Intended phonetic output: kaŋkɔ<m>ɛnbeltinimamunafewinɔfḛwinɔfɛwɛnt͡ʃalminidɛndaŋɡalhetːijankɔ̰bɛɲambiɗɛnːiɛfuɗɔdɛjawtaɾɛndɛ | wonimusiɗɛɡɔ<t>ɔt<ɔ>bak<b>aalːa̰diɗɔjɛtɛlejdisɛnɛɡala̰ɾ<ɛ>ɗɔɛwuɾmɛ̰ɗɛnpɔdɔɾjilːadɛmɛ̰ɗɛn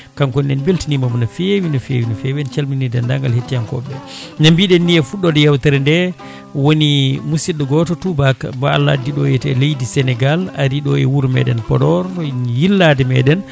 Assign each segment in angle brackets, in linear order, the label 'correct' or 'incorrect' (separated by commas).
incorrect, correct, incorrect, correct, incorrect